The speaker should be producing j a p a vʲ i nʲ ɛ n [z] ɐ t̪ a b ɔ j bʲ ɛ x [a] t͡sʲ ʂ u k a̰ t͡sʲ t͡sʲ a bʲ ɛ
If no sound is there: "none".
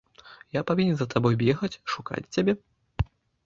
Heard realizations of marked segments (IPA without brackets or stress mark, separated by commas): z, ɐ